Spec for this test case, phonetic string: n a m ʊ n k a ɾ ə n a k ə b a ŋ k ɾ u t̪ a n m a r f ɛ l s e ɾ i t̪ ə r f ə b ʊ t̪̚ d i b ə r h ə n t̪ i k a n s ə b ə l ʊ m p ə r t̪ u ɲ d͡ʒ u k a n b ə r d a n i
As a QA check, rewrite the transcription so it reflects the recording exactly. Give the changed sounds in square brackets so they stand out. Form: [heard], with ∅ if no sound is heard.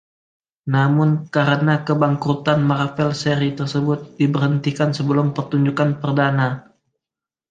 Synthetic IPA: n a m ʊ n k a ɾ ə n a k ə b a ŋ k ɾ u t̪ a n m a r f ɛ l s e ɾ i t̪ ə r [s] ə b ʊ t̪̚ d i b ə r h ə n t̪ i k a n s ə b ə l ʊ m p ə r t̪ u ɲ d͡ʒ u k a n [p] ə r d a n [a]